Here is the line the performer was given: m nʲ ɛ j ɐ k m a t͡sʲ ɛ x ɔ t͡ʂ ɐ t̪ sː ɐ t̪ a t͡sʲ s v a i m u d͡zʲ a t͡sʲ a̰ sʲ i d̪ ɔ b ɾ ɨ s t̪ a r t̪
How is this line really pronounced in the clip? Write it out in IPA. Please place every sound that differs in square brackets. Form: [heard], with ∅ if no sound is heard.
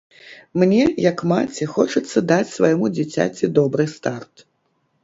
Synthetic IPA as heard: m nʲ ɛ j ɐ k m a t͡sʲ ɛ x ɔ t͡ʂ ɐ t̪ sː ɐ [d̪] a t͡sʲ s v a [j] m u d͡zʲ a t͡sʲ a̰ [t͡sʲ] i d̪ ɔ b ɾ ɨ s t̪ a r t̪